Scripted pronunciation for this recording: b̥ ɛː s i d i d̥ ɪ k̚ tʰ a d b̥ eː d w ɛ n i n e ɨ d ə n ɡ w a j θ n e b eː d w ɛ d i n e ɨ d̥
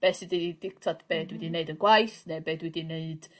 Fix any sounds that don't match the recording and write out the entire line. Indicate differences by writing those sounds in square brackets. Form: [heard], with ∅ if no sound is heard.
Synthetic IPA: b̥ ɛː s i d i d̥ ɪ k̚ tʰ a d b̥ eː d w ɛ [d] i n e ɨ d ə n ɡ w a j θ n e b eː d w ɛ d i n e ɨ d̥